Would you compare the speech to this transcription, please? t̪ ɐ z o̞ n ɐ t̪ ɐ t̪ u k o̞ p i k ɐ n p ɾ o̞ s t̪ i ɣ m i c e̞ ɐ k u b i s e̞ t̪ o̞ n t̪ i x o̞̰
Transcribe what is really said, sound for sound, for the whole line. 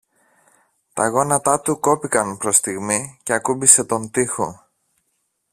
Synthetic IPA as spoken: t̪ ɐ ɣ o̞ n ɐ t̪ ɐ t̪ u k o̞ p i k ɐ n p ɾ o̞ s t̪ i ɣ m i c e̞ ɐ k u b i s e̞ t̪ o̞ n t̪ i x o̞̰